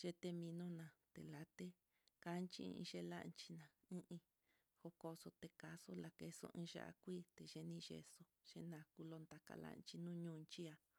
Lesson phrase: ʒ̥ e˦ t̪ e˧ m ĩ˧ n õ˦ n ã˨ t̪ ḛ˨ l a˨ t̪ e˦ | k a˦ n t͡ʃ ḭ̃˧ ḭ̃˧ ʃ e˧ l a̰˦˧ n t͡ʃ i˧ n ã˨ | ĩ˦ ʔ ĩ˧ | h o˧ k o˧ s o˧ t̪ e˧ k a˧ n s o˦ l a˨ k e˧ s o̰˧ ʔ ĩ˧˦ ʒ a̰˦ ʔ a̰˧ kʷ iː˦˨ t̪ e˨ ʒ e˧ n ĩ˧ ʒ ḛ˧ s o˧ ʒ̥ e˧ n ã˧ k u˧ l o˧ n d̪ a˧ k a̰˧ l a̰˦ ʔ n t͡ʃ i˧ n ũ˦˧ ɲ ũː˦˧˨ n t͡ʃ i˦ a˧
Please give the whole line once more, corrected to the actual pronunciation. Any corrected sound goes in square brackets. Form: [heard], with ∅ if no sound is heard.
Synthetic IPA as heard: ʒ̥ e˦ t̪ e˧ m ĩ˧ n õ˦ n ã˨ t̪ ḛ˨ l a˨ t̪ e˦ | k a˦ n t͡ʃ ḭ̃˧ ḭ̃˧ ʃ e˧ l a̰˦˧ n t͡ʃ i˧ n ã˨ | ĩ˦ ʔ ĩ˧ | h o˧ k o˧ s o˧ t̪ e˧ k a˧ [∅] s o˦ l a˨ k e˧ s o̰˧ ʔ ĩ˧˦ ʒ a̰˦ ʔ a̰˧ kʷ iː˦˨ t̪ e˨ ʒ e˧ n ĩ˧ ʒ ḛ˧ s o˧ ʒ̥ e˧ n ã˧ k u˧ l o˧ n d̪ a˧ k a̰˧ l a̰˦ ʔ n t͡ʃ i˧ n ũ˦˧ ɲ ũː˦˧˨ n t͡ʃ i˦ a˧